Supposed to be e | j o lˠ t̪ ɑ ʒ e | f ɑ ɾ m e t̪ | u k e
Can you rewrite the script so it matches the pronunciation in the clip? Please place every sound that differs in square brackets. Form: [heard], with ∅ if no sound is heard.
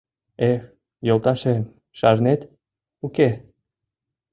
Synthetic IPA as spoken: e | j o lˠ t̪ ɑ [ʃ] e | [ʃ] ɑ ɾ [n] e t̪ | u k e